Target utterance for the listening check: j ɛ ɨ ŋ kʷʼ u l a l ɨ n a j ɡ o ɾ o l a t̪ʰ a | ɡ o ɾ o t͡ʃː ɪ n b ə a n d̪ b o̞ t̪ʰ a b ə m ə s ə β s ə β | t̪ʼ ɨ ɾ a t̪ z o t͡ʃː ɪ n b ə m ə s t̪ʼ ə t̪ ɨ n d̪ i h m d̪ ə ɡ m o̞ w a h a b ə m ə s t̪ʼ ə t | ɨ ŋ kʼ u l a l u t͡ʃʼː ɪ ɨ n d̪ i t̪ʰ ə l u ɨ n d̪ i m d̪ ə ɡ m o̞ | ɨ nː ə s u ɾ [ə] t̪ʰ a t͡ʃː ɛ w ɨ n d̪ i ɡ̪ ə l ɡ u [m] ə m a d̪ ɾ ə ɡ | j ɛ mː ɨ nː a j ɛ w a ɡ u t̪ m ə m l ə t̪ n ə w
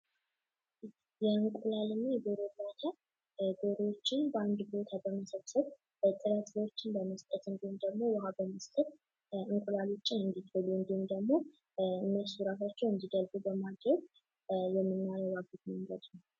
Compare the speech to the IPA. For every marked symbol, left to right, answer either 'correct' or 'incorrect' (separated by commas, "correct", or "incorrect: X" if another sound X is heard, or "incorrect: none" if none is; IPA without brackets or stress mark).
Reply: incorrect: a, incorrect: b